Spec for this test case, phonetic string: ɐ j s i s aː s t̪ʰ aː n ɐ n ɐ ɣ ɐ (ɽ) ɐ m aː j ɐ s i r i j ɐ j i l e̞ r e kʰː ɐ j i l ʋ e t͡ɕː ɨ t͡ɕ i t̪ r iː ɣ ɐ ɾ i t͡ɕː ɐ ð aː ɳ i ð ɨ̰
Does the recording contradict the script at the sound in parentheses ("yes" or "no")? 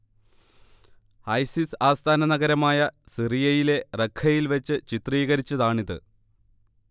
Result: yes